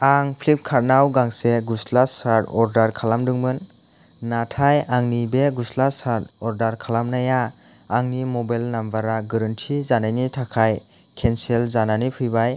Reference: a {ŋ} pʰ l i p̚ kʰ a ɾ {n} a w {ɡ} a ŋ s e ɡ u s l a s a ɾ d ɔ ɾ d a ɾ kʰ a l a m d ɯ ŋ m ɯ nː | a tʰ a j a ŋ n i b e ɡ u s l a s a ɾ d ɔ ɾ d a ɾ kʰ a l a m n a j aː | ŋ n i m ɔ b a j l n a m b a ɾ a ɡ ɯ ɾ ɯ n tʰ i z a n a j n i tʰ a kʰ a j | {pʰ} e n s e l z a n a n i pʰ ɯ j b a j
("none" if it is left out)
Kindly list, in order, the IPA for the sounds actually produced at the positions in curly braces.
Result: ŋ, n, ɡ, kʰ

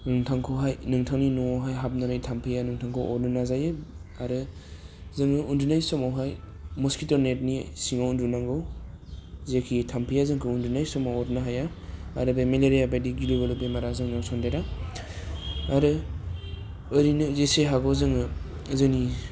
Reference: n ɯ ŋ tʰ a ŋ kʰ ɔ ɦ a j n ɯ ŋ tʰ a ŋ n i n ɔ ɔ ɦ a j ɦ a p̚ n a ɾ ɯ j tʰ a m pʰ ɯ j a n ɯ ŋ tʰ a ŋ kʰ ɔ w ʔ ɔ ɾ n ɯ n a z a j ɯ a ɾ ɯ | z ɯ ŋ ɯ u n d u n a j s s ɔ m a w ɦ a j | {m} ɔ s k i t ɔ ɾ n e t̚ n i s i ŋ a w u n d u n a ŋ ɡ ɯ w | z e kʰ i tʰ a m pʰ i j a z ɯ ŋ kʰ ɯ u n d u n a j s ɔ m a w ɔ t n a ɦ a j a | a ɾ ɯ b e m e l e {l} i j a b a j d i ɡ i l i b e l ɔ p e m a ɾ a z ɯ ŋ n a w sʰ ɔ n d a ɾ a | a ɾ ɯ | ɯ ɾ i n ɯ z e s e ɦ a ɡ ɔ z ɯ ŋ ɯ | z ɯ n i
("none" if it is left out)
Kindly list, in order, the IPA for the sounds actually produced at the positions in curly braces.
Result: m, ɾ

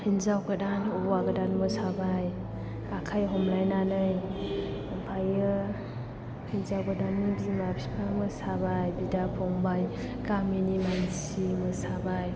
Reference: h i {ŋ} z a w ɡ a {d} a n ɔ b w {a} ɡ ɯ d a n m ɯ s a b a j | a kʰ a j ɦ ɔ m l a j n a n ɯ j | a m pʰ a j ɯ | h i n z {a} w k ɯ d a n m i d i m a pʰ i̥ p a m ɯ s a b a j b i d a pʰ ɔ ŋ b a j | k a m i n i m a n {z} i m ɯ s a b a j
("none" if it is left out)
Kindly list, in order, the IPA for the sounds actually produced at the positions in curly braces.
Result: n, d, a, a, s

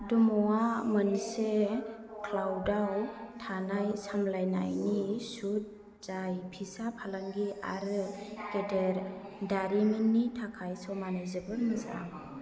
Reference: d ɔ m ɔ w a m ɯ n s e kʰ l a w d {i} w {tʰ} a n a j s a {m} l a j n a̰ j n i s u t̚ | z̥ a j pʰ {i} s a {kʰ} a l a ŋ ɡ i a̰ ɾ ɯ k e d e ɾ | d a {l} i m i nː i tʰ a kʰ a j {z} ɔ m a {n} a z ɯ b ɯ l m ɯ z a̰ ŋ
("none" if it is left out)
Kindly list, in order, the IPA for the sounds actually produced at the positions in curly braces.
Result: a, tʰ, m, i, pʰ, ɾ, s, n

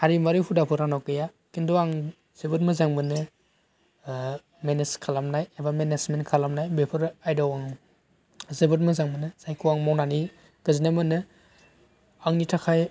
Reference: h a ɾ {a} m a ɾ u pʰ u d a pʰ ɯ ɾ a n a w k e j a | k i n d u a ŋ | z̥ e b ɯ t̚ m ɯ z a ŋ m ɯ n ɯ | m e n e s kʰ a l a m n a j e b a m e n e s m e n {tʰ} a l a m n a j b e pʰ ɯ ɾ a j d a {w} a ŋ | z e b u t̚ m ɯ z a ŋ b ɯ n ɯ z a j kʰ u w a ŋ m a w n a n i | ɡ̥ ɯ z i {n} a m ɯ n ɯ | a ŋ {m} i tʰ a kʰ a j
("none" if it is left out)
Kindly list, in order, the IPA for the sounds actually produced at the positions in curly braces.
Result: i, kʰ, w, n, n

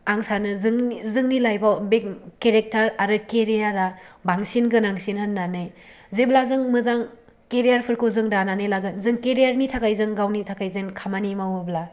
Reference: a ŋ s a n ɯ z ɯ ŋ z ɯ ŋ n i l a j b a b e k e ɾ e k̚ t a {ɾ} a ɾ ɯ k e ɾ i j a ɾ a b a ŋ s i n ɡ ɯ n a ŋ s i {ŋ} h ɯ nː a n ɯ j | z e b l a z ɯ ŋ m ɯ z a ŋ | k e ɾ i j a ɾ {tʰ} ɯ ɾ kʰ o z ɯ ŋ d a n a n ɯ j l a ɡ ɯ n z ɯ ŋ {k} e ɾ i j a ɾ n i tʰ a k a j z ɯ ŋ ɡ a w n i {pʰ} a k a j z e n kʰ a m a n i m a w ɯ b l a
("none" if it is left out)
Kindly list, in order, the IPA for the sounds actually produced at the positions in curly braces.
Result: ɾ, n, pʰ, k, tʰ

